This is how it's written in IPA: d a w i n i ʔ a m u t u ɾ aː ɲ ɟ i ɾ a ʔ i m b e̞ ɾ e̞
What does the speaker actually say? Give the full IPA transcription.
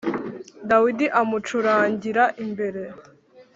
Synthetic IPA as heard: d a w i d i ʔ a m u t͡ʃ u ɾ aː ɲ ɟ i ɾ a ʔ i m b e̞ ɾ e̞